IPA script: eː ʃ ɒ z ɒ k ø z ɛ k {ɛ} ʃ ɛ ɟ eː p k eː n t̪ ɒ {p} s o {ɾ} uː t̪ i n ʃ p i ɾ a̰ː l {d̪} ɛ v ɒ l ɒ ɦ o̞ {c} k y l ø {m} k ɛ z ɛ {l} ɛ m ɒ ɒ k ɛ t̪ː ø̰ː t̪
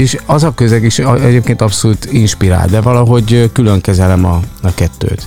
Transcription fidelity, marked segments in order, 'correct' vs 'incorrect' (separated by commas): incorrect, correct, incorrect, correct, incorrect, incorrect, correct